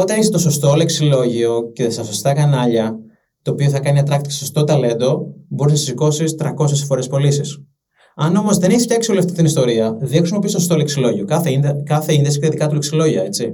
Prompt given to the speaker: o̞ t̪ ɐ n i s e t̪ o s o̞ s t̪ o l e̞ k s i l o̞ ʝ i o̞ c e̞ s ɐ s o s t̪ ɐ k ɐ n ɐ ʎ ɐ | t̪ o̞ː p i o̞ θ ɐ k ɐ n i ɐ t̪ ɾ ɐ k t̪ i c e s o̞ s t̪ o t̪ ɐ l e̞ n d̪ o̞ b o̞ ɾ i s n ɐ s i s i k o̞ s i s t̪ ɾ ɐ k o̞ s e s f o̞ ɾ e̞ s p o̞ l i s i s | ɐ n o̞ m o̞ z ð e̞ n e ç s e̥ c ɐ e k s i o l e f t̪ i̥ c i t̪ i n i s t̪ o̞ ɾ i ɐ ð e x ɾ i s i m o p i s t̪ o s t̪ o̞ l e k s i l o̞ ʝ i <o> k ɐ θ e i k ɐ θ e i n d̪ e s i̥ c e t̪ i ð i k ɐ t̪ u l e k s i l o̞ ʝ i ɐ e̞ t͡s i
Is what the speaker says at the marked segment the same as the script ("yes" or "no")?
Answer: yes